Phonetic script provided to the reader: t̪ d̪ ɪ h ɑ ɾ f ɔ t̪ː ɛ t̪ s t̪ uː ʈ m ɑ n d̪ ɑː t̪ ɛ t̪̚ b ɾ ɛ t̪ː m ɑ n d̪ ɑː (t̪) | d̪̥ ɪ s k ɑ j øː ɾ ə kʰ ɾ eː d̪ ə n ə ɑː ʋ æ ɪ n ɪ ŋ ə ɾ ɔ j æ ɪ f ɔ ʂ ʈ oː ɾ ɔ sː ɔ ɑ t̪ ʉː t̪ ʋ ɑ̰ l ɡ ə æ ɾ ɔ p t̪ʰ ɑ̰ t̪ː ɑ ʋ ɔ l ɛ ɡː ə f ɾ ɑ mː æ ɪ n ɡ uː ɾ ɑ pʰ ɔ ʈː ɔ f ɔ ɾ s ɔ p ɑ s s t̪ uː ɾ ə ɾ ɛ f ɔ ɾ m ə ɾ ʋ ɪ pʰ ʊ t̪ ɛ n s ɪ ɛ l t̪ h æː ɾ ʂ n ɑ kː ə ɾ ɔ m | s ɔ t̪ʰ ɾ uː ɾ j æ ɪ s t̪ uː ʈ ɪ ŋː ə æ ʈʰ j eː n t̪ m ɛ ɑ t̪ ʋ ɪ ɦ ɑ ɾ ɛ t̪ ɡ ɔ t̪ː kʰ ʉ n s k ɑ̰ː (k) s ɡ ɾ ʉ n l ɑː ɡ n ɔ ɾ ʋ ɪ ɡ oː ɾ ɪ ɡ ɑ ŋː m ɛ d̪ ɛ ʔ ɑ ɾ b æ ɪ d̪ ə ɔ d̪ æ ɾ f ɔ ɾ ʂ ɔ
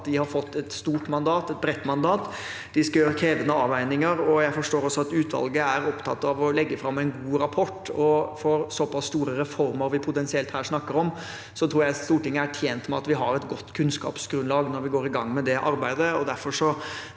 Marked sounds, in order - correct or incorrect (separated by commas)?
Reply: correct, incorrect